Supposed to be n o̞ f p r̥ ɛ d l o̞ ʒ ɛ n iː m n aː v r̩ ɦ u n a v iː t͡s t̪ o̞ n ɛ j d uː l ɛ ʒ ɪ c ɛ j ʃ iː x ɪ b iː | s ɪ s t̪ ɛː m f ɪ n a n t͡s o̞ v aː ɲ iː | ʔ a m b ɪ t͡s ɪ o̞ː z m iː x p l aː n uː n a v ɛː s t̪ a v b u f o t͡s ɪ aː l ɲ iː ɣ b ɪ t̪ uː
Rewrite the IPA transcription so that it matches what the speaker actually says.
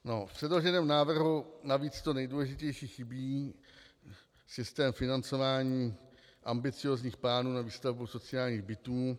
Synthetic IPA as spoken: n o̞ f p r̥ ɛ d l o̞ ʒ ɛ n ɛː m n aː v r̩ ɦ u n a v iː t͡s t̪ o̞ n ɛ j d uː l ɛ ʒ ɪ c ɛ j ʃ iː x ɪ b iː | s ɪ s t̪ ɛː m f ɪ n a n t͡s o̞ v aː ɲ iː | ʔ a m b ɪ t͡s ɪ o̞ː z ɲ iː x p l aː n uː n a v iː s t̪ a v b u s o t͡s ɪ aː l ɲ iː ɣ b ɪ t̪ uː